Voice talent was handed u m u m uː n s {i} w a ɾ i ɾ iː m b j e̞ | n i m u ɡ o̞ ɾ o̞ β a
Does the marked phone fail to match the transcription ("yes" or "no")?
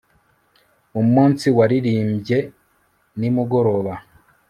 no